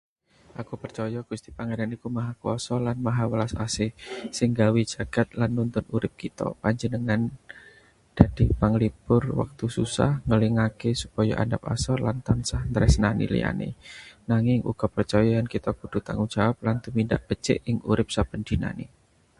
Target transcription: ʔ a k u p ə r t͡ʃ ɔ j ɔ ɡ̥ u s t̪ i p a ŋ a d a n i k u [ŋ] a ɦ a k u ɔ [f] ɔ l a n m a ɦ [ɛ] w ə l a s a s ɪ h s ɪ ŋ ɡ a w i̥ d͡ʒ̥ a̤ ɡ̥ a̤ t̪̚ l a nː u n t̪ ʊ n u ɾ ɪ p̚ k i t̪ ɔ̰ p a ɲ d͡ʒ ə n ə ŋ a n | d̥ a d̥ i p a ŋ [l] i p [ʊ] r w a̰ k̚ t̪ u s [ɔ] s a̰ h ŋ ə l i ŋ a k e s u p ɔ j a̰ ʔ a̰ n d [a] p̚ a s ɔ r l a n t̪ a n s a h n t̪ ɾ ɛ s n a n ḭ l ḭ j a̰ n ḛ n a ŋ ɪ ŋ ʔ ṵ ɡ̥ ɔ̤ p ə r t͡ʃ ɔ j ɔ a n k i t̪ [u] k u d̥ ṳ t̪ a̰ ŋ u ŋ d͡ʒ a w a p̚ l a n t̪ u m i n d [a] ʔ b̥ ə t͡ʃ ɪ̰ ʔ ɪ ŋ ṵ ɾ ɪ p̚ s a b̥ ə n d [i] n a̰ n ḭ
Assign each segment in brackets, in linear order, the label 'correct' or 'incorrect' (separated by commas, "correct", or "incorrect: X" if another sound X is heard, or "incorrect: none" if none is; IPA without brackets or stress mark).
incorrect: m, incorrect: s, incorrect: a, correct, correct, incorrect: u, correct, incorrect: ɔ, correct, correct